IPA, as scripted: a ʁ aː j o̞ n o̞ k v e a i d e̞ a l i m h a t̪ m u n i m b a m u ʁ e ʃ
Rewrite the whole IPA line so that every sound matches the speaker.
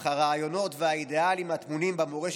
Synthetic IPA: a ʁ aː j o̞ n o̞ t v e a i d e̞ a l i m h a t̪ m u n i m b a m o ʁ e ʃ